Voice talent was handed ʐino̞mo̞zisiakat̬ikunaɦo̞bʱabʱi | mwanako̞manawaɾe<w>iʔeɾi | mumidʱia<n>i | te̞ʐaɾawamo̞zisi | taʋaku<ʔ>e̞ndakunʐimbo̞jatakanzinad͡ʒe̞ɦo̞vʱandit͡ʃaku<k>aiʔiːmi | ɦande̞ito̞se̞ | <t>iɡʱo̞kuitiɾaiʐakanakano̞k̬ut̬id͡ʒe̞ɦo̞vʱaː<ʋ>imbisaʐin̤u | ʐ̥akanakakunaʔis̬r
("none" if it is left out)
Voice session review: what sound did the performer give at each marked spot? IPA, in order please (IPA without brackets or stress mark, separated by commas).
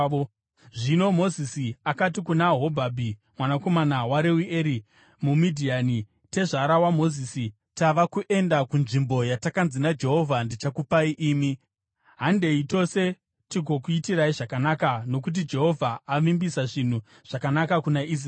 w, n, ʔ, p, t, ʋ